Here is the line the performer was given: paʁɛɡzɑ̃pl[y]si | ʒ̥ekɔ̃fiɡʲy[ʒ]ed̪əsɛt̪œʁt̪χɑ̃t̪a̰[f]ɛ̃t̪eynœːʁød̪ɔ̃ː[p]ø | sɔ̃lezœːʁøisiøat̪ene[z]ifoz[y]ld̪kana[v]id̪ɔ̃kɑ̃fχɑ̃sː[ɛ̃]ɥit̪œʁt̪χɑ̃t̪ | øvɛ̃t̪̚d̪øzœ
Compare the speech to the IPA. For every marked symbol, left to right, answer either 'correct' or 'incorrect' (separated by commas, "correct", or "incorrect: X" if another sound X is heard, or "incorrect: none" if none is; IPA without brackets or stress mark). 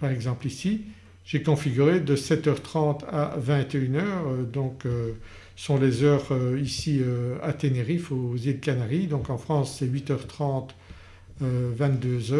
incorrect: i, incorrect: ʁ, incorrect: v, incorrect: k, incorrect: ʁ, incorrect: i, incorrect: ʁ, incorrect: ɛ